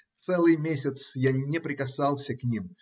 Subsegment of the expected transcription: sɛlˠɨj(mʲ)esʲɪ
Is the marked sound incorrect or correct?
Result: correct